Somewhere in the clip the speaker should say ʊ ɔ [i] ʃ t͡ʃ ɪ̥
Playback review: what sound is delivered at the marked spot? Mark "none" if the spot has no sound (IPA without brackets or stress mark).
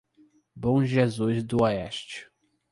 ɛ